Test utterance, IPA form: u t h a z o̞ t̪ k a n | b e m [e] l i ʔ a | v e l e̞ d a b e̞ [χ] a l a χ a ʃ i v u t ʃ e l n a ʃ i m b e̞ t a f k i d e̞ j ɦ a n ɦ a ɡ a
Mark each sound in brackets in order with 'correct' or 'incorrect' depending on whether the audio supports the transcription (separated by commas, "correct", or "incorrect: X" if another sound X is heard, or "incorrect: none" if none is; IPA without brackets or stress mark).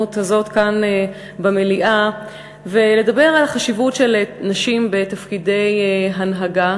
correct, incorrect: ʁ